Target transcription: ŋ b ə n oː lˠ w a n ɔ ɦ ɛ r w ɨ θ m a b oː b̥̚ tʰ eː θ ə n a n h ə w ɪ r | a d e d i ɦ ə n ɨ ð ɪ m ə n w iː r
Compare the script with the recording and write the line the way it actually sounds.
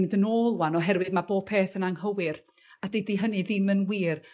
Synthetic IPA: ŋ d ə n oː lˠ w a n ɔ ɦ ɛ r w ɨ ð m a b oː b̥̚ pʰ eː θ ə n a ŋ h ə w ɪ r | a d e d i ɦ ə n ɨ ð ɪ m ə n w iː r

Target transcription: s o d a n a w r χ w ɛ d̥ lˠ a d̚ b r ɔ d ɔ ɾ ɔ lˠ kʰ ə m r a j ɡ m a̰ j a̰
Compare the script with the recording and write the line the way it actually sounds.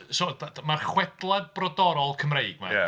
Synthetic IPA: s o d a m a r χ w ɛ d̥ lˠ a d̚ b r ɔ d ɔ ɾ ɔ lˠ kʰ ə m r e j ɡ m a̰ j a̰

